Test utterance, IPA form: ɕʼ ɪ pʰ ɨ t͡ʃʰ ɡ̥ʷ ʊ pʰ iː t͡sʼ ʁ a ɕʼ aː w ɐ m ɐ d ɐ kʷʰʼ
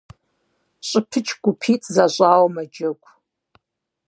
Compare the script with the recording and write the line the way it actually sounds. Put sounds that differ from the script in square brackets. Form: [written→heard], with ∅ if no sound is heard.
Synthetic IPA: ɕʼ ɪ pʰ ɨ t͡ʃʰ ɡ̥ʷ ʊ pʰ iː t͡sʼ [ʁ→z] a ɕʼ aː w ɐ m ɐ [d→d͡ʒ] ɐ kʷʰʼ

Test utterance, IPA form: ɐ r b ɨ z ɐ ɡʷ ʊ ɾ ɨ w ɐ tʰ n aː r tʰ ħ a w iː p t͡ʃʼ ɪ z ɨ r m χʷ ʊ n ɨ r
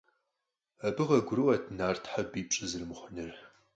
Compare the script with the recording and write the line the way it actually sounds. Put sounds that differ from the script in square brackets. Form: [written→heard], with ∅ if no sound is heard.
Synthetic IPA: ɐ [r→∅] b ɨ [z→ʁ] ɐ ɡʷ ʊ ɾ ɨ w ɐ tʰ n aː r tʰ ħ a [w→b] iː p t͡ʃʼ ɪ z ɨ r m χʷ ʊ n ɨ r

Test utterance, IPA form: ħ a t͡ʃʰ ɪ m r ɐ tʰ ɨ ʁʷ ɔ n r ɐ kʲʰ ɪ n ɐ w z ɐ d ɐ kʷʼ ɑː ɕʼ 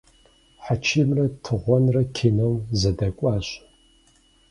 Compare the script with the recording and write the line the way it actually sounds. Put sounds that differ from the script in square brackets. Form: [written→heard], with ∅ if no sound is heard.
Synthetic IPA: ħ a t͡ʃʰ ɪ m r ɐ tʰ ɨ ʁʷ ɔ n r ɐ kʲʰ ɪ n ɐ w z ɐ d ɐ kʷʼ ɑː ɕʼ

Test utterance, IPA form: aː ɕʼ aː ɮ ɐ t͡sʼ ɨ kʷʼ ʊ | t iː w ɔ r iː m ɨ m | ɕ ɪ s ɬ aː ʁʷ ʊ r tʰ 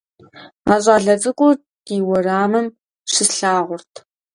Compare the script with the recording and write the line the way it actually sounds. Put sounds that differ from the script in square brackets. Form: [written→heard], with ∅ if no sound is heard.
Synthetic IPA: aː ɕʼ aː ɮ ɐ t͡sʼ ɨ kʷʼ ʊ | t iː w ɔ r [iː→aː] m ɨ m | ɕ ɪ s ɬ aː ʁʷ ʊ r tʰ

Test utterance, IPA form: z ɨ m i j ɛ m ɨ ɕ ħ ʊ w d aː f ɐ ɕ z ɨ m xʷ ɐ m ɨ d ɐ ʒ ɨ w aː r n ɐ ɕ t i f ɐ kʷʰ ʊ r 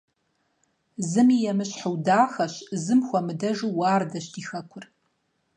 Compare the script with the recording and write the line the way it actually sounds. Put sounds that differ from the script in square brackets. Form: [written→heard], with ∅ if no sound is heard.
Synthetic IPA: z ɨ m i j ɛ m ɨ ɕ ħ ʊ w d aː [f→x] ɐ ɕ z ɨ m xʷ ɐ m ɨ d ɐ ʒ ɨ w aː r [n→d] ɐ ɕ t i [f→x] ɐ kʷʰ ʊ r

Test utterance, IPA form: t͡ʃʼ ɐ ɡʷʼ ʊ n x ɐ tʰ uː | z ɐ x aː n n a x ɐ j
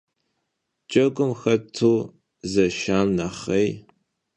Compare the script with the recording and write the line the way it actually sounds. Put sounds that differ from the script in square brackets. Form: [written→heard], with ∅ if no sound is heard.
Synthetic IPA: t͡ʃʼ ɐ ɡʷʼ ʊ [n→m] x ɐ tʰ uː | z ɐ [x→ʃ] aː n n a [x→χ] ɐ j

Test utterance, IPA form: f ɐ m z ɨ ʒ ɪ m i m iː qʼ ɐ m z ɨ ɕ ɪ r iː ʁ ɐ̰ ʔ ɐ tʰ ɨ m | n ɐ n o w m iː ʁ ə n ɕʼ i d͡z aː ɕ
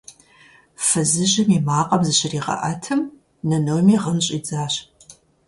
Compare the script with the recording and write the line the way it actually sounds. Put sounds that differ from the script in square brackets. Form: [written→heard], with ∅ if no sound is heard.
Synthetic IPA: f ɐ [m→∅] z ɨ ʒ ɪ m i m [iː→aː] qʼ ɐ m z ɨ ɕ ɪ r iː ʁ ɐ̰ ʔ ɐ tʰ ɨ m | n ɐ n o w m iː ʁ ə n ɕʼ i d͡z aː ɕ

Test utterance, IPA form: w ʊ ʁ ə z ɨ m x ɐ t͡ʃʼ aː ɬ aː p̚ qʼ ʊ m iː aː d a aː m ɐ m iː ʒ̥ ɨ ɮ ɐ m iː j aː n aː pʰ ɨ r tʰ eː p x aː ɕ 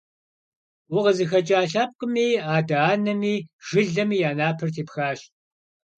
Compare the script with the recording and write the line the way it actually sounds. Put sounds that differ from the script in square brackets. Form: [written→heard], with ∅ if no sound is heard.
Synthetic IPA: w ʊ ʁ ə z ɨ [m→∅] x ɐ t͡ʃʼ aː ɬ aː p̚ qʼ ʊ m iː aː d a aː [m→n] ɐ m iː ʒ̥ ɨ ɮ ɐ m iː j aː n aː pʰ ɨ r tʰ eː p x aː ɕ

